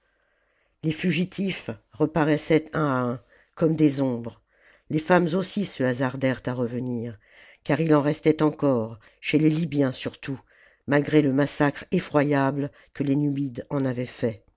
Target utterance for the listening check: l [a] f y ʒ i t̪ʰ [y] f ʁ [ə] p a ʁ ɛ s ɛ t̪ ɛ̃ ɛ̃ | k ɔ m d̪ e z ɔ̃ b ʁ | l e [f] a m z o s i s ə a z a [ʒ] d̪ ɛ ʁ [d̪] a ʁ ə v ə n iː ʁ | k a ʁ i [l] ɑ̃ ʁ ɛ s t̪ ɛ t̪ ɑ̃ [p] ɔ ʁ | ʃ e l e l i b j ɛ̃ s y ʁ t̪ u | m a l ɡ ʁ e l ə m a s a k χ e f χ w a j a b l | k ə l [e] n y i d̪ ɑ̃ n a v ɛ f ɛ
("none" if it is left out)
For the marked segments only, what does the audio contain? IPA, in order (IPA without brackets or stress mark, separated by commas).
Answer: e, i, ə, f, ʁ, t̪, l, k, e